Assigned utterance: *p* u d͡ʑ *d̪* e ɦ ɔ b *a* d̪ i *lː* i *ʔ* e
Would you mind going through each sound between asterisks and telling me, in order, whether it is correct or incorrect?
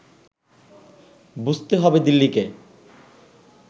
incorrect, incorrect, incorrect, correct, incorrect

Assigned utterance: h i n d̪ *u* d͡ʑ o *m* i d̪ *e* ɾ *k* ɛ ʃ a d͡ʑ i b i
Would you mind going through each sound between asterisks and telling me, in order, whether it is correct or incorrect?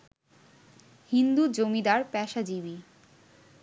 correct, correct, incorrect, incorrect

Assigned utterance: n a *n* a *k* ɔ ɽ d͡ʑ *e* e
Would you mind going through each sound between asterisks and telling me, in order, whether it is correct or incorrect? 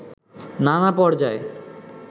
correct, incorrect, incorrect

